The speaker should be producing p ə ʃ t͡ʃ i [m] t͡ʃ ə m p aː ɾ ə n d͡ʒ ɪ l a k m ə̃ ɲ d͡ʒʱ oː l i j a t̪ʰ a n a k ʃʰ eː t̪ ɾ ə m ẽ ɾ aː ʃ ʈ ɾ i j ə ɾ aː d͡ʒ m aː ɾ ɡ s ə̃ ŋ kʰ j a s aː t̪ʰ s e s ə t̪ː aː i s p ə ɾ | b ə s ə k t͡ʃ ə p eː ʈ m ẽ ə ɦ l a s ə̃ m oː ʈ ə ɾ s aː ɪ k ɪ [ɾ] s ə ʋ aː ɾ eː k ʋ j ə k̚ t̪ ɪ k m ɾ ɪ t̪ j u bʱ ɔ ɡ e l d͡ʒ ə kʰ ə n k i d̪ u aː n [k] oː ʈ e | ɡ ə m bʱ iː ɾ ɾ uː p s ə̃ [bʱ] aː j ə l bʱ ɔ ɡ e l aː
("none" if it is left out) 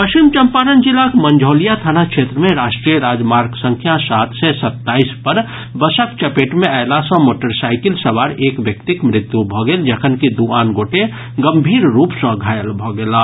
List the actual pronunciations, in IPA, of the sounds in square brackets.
m, l, ɡ, ɡʱ

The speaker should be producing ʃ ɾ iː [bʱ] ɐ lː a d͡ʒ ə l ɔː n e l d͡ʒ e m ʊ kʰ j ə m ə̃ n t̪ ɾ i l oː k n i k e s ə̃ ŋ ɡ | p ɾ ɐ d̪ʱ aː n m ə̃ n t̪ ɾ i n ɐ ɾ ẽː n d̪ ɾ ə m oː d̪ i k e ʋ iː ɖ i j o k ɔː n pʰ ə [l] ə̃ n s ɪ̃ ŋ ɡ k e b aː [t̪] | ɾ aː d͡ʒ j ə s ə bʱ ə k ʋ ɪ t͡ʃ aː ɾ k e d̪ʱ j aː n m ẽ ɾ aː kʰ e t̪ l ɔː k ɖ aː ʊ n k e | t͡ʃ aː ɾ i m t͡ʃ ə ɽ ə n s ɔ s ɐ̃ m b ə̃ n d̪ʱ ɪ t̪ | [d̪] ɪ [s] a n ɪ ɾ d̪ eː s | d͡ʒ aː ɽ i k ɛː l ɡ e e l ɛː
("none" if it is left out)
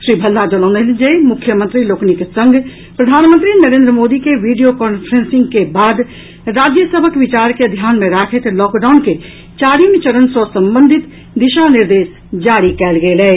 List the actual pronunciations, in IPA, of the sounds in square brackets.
bʱ, ɾ, d̪, d̪, ʃ

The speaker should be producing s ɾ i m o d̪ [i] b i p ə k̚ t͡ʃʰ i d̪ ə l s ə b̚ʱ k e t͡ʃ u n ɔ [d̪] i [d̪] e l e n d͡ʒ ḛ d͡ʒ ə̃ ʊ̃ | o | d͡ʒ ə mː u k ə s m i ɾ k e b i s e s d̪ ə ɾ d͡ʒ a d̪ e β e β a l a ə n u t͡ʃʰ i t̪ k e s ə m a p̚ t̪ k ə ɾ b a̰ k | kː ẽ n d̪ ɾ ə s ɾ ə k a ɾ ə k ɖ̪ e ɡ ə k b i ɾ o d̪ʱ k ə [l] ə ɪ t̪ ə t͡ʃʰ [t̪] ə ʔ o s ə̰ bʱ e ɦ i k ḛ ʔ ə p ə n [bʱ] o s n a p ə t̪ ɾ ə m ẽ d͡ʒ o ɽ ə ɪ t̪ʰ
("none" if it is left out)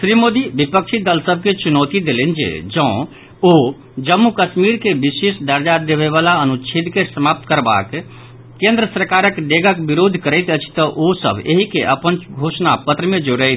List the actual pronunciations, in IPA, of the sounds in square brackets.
i, t̪, d̪, ɾ, t̪, ɡʱ

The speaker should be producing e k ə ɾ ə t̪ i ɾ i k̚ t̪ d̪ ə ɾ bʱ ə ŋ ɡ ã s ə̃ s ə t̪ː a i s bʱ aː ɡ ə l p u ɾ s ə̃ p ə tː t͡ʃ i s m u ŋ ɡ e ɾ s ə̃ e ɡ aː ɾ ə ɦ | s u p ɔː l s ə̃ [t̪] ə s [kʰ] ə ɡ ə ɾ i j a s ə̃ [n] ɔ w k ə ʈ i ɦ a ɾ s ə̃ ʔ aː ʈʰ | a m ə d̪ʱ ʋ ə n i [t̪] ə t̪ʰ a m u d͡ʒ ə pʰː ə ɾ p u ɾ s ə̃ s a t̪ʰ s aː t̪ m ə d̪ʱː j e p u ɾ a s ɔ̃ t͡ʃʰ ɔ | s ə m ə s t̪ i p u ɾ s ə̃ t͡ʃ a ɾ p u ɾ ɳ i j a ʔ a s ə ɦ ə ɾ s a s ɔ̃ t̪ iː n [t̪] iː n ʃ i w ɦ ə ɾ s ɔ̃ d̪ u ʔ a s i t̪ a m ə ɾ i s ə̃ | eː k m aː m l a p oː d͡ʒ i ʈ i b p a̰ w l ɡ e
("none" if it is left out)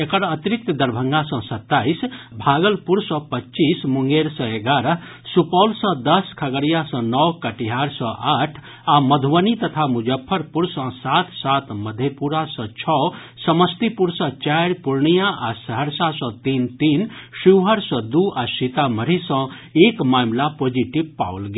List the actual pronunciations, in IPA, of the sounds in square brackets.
d̪, kʰ, n, t̪, t̪

